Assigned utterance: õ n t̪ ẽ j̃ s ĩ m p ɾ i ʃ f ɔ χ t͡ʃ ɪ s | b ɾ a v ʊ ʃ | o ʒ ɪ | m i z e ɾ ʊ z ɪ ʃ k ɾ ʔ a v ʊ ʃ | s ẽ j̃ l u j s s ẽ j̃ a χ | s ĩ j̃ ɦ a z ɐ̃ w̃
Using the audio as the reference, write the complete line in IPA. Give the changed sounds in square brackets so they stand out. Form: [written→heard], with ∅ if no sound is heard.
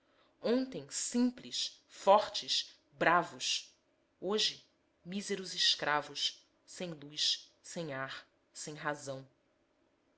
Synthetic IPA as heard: õ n t̪ ẽ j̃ s ĩ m p [ɾ→l] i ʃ f ɔ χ t͡ʃ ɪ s | b ɾ a v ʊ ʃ | o ʒ ɪ | m i z e ɾ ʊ z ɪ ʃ k ɾ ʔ a v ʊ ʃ | s ẽ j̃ l u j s s ẽ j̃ a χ | s [ĩ→ẽ] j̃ ɦ a z ɐ̃ w̃